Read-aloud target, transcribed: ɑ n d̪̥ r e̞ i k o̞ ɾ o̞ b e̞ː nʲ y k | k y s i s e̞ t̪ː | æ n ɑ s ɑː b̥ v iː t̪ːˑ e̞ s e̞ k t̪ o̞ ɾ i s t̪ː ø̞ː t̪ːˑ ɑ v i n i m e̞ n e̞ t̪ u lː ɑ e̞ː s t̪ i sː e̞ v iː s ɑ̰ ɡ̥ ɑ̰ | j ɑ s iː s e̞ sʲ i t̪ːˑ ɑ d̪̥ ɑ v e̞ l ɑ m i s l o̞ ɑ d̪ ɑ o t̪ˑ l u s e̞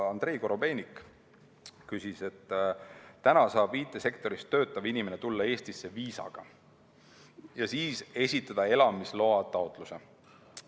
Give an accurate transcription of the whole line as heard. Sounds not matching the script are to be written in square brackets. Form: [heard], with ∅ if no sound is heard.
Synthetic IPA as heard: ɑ n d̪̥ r e̞ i k o̞ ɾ o̞ b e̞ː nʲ [i] k | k y s i s e̞ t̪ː | æ n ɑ s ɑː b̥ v iː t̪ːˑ e̞ s e̞ k t̪ o̞ ɾ i s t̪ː ø̞ː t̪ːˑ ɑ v i n i m e̞ n e̞ t̪ u lː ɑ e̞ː s t̪ i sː e̞ v iː s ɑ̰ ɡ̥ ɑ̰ | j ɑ s iː s e̞ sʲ i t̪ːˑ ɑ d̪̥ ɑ [∅] e̞ l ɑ m i s l o̞ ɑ [t̪] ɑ o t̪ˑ l u s e̞